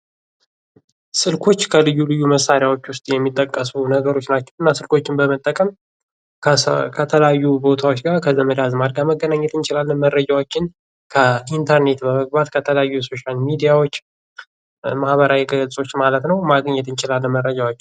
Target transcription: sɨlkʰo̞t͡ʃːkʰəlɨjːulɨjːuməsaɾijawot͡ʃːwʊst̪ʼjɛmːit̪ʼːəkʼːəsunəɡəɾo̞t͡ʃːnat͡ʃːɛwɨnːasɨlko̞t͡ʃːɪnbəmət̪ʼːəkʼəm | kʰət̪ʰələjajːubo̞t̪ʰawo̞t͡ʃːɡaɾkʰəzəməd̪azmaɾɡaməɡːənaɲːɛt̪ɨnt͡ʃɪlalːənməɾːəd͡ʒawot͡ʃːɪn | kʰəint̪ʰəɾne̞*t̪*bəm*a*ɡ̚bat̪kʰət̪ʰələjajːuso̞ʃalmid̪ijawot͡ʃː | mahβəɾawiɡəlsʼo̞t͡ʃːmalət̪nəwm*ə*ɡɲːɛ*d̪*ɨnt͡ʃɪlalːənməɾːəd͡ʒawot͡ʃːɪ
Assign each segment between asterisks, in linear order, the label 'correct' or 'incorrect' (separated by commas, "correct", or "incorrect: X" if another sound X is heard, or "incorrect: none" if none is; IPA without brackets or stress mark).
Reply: correct, incorrect: ə, incorrect: a, incorrect: t̪